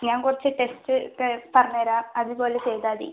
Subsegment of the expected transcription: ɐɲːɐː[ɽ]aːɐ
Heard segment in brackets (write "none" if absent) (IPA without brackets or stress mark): ɾ